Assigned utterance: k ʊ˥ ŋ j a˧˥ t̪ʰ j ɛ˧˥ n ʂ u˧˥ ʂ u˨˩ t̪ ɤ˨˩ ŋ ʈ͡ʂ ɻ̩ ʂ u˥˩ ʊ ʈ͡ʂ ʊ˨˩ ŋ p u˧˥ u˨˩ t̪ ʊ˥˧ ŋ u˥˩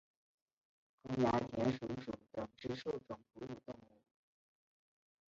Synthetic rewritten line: k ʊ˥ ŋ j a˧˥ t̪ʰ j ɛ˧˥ n ʂ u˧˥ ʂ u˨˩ t̪ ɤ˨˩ ŋ ʈ͡ʂ ɻ̩ ʂ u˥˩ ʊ ʈ͡ʂ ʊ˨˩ ŋ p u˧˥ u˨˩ t̪ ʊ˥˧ ŋ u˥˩